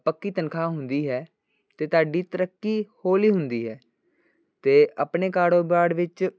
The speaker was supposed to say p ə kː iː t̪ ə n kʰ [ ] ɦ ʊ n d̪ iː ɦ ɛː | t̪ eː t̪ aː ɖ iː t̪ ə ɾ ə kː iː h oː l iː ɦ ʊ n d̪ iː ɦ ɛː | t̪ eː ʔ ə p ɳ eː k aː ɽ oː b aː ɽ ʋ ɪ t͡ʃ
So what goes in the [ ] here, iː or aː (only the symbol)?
aː